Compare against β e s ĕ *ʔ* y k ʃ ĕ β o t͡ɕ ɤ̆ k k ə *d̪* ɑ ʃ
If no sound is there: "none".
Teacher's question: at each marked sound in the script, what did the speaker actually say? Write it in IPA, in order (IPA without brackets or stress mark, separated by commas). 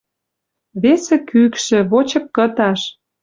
k, t̪